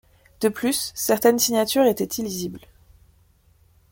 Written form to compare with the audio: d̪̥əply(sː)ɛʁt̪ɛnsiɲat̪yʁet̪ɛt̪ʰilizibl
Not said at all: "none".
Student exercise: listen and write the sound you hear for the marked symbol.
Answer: sː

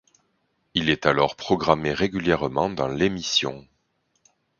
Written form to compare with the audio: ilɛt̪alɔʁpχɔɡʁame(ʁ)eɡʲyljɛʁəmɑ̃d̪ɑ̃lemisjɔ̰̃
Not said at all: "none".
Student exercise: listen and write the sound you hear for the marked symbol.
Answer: ʁ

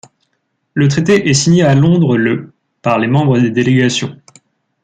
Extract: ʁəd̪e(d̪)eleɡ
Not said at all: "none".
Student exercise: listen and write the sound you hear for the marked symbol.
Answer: d̪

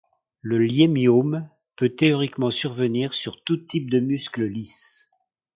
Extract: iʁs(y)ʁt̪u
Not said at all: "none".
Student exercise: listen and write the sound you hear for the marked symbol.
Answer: y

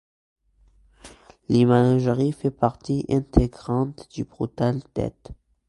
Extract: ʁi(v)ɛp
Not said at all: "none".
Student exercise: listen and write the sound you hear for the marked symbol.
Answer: f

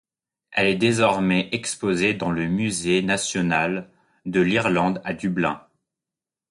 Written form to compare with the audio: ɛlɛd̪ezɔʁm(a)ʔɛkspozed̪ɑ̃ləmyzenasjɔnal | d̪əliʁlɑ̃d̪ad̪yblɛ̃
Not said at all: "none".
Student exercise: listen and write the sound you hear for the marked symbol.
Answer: ɛ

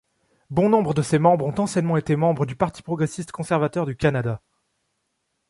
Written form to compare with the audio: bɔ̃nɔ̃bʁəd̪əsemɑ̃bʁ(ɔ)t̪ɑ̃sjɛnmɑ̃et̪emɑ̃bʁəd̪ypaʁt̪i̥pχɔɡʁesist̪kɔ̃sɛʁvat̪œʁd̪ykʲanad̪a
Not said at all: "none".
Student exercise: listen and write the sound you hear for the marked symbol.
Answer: ɔ̃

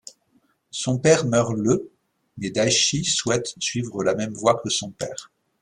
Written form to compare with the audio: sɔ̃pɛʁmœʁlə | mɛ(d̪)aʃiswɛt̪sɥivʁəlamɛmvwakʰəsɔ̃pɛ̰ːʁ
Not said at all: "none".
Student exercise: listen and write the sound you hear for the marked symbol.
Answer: d̪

